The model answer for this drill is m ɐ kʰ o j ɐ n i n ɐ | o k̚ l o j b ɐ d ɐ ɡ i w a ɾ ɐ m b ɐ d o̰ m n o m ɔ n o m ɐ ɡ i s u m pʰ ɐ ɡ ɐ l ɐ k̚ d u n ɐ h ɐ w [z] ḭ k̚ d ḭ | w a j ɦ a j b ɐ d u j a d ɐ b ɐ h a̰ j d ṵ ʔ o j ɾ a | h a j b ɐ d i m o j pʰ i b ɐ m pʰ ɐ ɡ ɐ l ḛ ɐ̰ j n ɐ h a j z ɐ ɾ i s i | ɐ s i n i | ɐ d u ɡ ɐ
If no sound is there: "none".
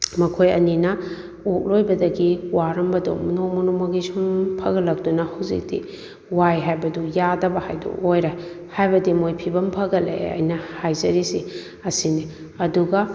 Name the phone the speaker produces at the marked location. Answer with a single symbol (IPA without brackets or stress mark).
z